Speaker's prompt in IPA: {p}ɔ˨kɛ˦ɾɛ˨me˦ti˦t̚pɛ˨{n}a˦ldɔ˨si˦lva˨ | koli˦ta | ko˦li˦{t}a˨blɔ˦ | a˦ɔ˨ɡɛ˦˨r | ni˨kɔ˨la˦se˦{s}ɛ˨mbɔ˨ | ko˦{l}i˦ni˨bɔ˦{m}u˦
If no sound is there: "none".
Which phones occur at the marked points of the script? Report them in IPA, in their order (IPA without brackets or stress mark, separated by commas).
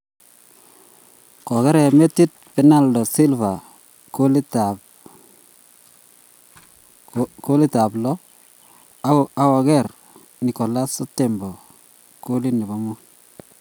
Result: k, n, t, t, l, m